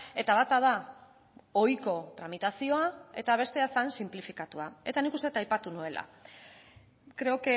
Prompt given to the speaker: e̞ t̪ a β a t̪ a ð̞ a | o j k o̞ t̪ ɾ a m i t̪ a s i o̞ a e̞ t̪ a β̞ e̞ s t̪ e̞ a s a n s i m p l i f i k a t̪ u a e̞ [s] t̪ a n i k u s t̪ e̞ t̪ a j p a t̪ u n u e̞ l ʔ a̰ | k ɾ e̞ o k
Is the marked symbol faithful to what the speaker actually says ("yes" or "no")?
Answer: no